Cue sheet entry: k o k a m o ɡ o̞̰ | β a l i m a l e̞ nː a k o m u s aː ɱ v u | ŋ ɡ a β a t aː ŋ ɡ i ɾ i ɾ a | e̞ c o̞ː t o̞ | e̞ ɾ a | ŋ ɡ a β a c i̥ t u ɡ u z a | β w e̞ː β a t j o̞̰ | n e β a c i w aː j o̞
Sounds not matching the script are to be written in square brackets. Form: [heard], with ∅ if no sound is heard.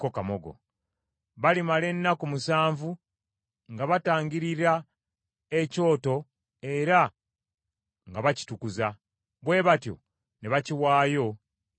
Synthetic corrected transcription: k o k a m o ɡ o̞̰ | β a l i m a l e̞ nː a k [u] m u s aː ɱ v u | ŋ ɡ a β a t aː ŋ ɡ i ɾ i ɾ a | e̞ c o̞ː t o̞ | e̞ ɾ a | ŋ ɡ a β a c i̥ t u [k] u z a | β w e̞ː β a t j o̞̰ | n e β a c i w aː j o̞